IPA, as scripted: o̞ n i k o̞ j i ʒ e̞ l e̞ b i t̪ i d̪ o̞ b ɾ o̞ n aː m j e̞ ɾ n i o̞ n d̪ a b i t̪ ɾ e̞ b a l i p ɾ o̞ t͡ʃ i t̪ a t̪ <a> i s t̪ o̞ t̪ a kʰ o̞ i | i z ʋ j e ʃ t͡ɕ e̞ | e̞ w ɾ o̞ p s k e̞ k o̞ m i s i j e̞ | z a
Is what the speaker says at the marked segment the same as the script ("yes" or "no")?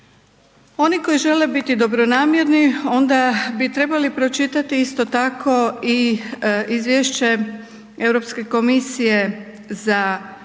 no